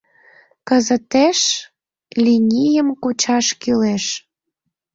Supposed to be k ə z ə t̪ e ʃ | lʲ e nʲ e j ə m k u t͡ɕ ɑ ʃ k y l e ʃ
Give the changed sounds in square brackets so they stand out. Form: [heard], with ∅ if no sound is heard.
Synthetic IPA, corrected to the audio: k ə z ə t̪ e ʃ | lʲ [i] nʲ [i] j ə m k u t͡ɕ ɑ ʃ k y l e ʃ